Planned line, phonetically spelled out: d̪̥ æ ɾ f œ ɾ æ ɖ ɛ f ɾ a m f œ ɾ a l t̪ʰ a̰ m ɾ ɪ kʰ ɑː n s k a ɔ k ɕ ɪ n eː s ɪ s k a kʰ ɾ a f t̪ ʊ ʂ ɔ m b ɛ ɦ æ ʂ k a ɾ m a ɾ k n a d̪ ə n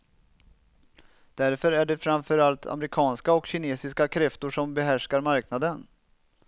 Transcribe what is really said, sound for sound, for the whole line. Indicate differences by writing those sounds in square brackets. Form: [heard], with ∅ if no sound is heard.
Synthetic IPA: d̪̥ æ ɾ f œ ɾ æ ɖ ɛ f ɾ a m f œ ɾ a l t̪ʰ a̰ m ɾ ɪ kʰ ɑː n s k a ɔ k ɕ ɪ n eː s ɪ s k a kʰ ɾ [ɛ] f t̪ ʊ ʂ ɔ m b ɛ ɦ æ ʂ k a ɾ m a ɾ k n a d̪ ə n